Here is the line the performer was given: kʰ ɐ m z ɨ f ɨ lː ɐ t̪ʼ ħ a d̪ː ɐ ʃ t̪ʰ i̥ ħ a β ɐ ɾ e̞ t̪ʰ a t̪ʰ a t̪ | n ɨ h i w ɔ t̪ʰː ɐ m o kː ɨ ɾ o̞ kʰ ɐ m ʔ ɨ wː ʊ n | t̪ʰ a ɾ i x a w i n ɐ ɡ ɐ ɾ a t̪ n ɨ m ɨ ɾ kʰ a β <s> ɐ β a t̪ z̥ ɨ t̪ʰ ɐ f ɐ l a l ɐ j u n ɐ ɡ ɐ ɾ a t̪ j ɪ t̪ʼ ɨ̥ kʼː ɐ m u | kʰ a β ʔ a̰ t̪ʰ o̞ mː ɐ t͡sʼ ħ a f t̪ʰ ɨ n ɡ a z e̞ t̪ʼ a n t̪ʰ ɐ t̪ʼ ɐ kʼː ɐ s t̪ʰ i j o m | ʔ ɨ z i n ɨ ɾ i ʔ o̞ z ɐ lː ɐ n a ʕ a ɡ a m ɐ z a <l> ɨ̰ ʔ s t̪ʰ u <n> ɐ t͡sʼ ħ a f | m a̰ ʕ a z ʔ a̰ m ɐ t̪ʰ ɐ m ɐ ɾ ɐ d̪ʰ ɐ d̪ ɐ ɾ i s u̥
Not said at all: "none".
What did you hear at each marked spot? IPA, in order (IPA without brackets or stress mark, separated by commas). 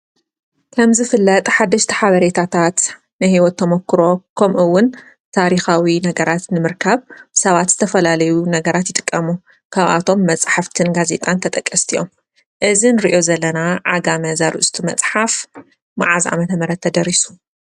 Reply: s, ɾ, m